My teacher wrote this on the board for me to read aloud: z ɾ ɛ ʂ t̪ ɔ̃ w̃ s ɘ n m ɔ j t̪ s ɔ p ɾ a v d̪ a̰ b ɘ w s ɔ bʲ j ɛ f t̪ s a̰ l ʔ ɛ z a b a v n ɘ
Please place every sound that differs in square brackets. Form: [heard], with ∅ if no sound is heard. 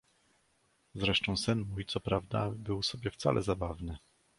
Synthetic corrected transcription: z ɾ ɛ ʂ t̪ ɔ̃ w̃ s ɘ n m [u] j t̪ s ɔ p ɾ a v d̪ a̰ b ɘ w s ɔ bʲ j ɛ f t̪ s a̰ l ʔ ɛ z a b a v n ɘ

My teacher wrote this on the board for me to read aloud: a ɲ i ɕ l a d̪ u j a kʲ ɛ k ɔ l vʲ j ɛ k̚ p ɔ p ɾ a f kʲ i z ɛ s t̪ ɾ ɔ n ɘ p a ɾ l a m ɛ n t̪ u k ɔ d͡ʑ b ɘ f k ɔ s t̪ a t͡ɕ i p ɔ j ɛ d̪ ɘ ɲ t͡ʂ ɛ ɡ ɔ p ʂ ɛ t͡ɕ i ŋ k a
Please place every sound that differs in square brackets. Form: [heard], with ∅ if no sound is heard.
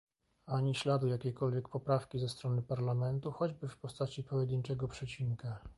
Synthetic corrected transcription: a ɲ i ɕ l a d̪ u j a kʲ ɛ k ɔ l vʲ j ɛ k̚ p ɔ p ɾ a f kʲ i z ɛ s t̪ ɾ ɔ n ɘ p a ɾ l a m ɛ n t̪ u [x] ɔ d͡ʑ b ɘ f [p] ɔ s t̪ a t͡ɕ i p ɔ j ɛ d̪ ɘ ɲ t͡ʂ ɛ ɡ ɔ p ʂ ɛ t͡ɕ i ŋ k a

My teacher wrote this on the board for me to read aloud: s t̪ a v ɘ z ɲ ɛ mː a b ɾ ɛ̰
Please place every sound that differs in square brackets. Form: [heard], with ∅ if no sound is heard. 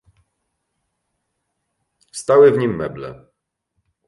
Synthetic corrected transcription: s t̪ a [w] ɘ [v] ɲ [i] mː [ɛ] b [l] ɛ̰

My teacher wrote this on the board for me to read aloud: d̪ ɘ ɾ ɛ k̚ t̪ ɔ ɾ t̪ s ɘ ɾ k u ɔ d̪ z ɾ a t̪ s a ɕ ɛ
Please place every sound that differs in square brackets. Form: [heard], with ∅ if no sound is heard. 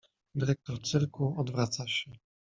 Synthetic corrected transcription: d̪ ɘ ɾ ɛ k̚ t̪ ɔ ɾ t̪ s ɘ ɾ k u ɔ d̪ [v] ɾ a t̪ s a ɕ ɛ

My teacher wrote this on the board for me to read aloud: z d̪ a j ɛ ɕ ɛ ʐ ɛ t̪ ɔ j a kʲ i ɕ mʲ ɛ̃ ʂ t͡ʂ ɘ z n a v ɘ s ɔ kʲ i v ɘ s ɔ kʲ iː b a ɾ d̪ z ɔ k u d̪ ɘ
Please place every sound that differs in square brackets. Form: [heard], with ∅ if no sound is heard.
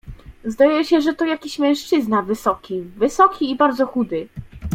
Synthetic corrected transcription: z d̪ a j ɛ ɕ ɛ ʐ ɛ t̪ ɔ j a kʲ i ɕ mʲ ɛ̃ ʂ t͡ʂ ɘ z n a v ɘ s ɔ kʲ i v ɘ s ɔ kʲ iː b a ɾ d̪ z ɔ [x] u d̪ ɘ

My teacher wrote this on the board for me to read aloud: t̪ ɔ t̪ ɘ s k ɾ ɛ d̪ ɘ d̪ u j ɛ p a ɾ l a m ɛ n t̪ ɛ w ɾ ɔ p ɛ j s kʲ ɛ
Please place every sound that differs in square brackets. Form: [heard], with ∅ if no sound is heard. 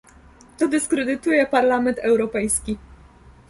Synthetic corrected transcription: t̪ ɔ [d̪] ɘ s k ɾ ɛ d̪ ɘ [t̪] u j ɛ p a ɾ l a m ɛ n t̪ ɛ w ɾ ɔ p ɛ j s kʲ [i]

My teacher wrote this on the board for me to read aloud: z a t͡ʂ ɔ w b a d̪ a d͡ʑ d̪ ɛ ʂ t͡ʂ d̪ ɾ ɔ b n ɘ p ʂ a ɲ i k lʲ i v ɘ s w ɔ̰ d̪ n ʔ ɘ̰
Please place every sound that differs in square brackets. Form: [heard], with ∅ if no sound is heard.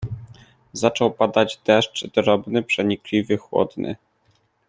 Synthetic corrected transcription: z a t͡ʂ ɔ w [p] a d̪ a d͡ʑ d̪ ɛ ʂ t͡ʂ d̪ ɾ ɔ b n ɘ p ʂ [ɛ] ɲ i k lʲ i v ɘ [x] w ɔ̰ d̪ n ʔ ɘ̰

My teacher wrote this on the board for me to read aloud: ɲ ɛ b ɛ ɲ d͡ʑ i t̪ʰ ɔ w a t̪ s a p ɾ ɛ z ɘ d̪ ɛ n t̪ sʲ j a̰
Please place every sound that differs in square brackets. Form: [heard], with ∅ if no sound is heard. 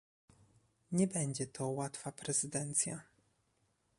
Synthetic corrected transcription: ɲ ɛ b ɛ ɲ d͡ʑ [ɛ] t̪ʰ ɔ w a t̪ [f] a p ɾ ɛ z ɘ d̪ ɛ n t̪ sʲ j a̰

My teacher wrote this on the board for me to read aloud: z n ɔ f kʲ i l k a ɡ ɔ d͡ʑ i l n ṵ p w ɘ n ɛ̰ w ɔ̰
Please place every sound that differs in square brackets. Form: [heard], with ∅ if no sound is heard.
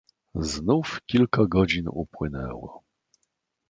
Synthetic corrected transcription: z n [u] f kʲ i l k a ɡ ɔ d͡ʑ i [∅] n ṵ p w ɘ n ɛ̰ w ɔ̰

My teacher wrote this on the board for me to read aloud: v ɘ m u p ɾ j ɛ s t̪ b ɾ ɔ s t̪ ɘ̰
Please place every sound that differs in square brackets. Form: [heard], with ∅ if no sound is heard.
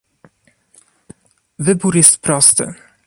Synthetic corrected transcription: v ɘ [b] u [∅] ɾ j ɛ s t̪ [p] ɾ ɔ s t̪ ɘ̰

